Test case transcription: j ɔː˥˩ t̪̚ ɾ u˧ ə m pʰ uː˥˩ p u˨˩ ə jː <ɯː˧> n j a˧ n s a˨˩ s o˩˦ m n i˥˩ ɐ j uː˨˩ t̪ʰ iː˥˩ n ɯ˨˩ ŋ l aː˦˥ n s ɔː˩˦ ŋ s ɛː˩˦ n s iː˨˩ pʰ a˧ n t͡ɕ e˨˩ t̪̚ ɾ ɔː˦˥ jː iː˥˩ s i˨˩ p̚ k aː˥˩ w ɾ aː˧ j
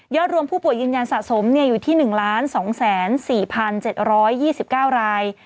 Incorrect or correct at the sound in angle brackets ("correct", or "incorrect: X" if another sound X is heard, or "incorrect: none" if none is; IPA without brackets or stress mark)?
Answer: correct